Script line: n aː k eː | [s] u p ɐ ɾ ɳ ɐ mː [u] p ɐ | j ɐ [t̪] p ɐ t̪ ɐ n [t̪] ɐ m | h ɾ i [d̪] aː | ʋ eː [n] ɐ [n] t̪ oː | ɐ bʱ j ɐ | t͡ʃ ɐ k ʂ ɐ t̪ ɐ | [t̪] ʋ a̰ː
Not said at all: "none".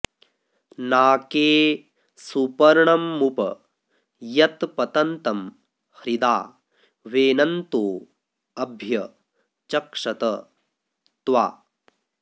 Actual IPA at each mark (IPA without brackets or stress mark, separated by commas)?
s, u, t̪, t̪, d̪, n, n, t̪